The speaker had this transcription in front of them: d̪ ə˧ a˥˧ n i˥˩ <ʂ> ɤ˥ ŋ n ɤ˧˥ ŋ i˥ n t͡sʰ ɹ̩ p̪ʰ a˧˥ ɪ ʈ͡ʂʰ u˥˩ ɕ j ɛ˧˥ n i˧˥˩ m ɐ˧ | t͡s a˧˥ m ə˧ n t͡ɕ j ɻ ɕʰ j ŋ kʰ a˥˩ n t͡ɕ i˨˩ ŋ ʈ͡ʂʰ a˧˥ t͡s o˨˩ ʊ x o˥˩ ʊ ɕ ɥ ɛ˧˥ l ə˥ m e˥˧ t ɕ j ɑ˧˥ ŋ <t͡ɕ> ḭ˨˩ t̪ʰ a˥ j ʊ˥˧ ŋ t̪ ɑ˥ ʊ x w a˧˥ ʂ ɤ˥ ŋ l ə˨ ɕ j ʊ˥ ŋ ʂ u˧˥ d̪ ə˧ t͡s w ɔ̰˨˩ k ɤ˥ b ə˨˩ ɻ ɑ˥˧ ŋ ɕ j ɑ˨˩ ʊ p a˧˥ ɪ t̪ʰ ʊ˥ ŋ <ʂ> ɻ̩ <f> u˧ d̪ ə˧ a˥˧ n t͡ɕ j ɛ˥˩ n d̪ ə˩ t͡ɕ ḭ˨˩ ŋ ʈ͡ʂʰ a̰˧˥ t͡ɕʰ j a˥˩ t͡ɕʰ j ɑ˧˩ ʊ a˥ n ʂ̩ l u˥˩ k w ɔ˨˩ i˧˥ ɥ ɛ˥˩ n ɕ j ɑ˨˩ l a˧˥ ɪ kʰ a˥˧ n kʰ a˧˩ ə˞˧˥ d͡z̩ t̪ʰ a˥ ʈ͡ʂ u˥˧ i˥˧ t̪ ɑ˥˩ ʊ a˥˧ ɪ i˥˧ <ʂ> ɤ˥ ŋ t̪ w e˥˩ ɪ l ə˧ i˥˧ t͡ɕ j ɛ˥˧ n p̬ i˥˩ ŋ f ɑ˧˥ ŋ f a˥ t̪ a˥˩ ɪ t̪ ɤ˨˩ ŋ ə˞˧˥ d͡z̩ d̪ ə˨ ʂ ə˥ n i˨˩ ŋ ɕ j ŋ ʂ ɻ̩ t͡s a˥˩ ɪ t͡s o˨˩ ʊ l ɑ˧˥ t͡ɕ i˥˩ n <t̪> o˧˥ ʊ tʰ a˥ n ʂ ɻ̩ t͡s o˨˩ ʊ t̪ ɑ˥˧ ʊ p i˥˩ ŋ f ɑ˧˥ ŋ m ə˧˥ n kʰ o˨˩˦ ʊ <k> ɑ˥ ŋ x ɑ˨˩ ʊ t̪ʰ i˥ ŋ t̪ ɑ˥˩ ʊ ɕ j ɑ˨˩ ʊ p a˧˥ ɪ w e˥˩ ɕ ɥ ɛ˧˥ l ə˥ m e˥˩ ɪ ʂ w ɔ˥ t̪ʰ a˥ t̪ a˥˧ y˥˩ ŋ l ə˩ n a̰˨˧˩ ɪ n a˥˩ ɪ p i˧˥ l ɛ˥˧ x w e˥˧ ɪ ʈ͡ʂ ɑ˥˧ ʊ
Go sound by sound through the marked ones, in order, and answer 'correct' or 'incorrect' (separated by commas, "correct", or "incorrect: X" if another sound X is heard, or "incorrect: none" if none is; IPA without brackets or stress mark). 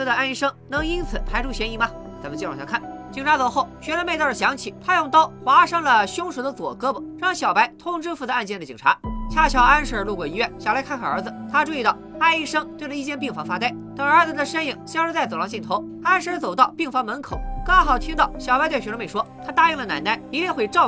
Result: correct, incorrect: t͡ɕʰ, incorrect: ʈ͡ʂ, correct, correct, incorrect: t̪ʰ, correct